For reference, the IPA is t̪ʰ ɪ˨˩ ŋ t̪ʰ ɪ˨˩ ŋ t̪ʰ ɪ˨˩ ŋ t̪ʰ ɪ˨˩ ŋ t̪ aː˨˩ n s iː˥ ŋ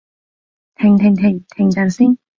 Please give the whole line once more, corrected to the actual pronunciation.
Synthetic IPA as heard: t̪ʰ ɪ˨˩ ŋ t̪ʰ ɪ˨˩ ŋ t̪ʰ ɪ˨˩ ŋ t̪ʰ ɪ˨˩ ŋ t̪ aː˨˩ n s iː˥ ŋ